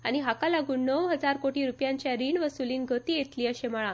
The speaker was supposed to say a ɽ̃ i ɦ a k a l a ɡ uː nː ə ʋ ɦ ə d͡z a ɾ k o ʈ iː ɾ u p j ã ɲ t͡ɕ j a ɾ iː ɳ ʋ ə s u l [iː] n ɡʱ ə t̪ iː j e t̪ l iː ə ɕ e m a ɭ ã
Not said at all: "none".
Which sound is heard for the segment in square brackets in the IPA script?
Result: iː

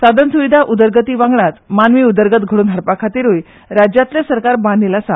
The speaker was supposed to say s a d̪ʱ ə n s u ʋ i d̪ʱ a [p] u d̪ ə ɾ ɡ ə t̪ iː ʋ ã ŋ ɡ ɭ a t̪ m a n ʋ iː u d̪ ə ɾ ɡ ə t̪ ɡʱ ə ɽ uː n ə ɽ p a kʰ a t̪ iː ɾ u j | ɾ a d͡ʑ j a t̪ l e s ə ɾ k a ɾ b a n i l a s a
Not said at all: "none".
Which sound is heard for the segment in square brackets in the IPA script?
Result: ʔ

